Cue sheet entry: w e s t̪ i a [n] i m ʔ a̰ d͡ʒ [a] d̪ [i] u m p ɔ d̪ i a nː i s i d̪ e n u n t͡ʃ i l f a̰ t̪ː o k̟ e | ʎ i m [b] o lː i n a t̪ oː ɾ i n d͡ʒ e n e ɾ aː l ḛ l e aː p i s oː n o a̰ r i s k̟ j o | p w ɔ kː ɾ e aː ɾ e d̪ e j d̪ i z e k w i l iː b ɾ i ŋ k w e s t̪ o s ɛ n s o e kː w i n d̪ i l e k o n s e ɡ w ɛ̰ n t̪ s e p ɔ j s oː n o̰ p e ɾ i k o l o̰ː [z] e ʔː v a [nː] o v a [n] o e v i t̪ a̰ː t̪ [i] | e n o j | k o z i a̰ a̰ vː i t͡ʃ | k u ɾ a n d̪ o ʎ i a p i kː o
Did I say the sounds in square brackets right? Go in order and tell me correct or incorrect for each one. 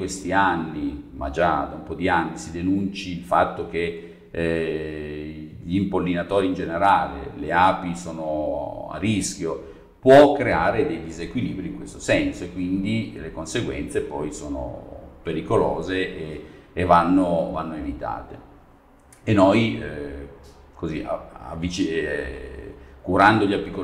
incorrect: nː, correct, incorrect: a, incorrect: p, correct, correct, incorrect: nː, incorrect: e

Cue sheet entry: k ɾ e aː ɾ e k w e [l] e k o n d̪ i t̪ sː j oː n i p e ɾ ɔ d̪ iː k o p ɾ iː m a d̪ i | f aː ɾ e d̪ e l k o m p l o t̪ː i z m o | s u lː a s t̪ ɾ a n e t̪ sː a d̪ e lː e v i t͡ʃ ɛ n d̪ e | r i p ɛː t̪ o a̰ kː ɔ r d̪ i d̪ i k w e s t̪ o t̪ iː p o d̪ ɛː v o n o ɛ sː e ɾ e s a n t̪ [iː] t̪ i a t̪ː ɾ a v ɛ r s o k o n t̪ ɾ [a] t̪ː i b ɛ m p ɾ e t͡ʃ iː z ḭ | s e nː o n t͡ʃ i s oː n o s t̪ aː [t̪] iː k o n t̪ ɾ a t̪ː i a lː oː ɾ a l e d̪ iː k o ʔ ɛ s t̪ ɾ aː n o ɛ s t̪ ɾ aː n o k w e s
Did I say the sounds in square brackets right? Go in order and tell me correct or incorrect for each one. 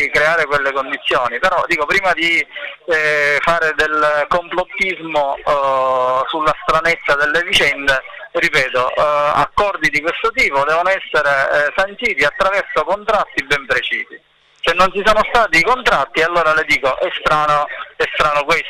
incorrect: lː, correct, correct, correct

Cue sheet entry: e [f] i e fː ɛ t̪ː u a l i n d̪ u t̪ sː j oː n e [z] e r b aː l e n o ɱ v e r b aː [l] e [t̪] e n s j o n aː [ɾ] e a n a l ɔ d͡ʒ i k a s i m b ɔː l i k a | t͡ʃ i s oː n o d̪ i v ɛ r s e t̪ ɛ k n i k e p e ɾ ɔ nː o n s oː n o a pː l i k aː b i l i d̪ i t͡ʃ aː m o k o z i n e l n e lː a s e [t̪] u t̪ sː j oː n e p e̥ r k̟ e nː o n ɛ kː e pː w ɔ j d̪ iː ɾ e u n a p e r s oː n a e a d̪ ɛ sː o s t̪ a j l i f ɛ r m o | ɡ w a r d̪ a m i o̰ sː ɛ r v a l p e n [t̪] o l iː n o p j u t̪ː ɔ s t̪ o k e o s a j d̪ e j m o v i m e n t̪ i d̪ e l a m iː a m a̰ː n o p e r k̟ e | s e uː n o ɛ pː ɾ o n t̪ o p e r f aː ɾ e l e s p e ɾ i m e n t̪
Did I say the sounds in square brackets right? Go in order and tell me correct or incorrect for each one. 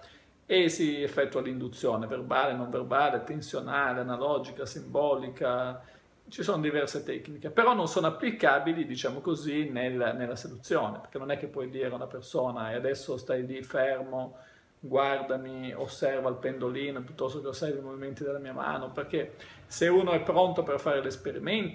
incorrect: s, incorrect: v, correct, correct, incorrect: l, incorrect: d̪, incorrect: d̪

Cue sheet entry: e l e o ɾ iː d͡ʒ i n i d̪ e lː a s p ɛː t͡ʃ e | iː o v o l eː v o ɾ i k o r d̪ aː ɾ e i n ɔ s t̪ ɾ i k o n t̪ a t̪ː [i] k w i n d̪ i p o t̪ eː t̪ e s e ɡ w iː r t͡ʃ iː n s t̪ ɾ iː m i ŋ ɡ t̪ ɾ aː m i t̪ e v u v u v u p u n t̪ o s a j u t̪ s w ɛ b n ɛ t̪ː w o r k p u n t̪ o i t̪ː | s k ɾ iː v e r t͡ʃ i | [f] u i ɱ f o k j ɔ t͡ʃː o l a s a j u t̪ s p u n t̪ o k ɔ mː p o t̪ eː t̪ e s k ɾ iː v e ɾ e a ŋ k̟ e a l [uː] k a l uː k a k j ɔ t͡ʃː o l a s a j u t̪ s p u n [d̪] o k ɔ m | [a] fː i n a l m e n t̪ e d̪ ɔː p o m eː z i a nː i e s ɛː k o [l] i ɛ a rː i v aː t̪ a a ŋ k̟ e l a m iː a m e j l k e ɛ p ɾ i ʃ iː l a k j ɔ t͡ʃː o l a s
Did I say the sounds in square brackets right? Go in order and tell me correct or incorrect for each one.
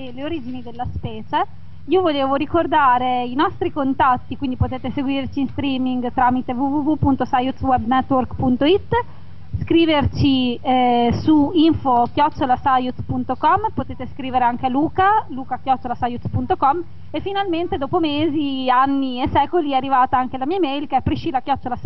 correct, incorrect: s, correct, incorrect: t̪, incorrect: e, correct

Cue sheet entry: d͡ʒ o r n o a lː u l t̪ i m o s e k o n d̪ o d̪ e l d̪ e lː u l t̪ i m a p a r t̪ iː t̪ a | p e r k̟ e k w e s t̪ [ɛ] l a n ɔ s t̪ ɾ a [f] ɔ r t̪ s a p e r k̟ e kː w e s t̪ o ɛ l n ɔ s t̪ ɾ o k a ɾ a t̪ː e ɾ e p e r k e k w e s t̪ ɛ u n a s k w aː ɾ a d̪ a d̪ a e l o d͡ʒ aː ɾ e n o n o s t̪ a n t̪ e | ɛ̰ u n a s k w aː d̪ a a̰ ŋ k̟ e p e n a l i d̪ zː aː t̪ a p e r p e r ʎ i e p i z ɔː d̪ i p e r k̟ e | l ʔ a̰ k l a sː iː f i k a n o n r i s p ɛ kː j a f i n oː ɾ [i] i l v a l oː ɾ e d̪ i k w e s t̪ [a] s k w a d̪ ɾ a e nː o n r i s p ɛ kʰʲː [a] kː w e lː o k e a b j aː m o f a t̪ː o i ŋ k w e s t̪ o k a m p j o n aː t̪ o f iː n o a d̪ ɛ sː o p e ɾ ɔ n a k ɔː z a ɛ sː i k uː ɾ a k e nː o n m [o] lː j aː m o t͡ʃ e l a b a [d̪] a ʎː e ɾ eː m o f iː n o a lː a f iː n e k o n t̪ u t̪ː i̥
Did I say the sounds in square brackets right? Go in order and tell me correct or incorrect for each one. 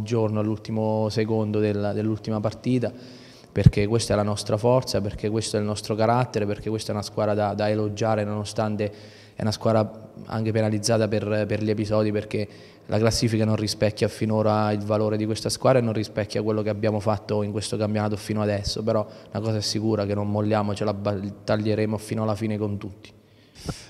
correct, correct, incorrect: a, correct, correct, correct, incorrect: t̪

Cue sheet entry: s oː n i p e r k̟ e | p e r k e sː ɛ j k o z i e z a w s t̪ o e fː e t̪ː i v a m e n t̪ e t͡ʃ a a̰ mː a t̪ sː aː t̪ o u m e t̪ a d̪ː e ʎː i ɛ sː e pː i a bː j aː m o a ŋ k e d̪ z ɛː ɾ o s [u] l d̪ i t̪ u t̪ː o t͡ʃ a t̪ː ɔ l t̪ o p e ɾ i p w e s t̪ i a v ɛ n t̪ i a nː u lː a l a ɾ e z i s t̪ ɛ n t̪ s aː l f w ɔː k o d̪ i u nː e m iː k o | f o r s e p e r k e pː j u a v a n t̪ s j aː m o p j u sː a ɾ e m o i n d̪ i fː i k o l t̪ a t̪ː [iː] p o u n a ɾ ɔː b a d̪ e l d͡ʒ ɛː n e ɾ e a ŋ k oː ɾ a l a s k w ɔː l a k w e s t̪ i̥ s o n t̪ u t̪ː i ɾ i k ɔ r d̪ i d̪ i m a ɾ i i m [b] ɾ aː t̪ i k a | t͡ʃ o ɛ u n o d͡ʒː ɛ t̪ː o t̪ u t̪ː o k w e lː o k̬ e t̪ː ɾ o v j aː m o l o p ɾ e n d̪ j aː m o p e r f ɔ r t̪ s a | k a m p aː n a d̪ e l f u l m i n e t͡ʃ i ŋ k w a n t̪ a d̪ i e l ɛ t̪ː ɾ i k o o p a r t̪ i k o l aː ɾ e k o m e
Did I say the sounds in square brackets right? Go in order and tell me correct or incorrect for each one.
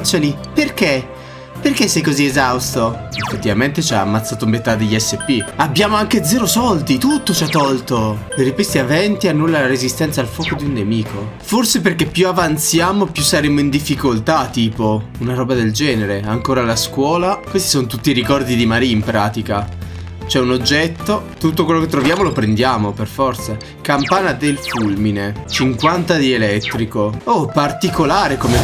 incorrect: ɔ, correct, incorrect: p

